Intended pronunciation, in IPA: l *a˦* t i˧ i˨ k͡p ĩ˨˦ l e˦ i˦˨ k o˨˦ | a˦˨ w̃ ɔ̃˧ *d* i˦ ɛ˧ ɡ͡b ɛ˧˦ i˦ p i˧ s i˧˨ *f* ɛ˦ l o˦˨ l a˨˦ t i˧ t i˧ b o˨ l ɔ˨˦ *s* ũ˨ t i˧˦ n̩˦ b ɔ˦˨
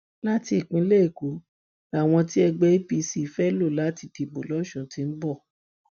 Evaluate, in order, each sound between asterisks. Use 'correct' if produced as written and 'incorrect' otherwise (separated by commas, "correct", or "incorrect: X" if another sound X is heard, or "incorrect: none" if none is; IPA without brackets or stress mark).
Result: correct, incorrect: t, correct, incorrect: ʃ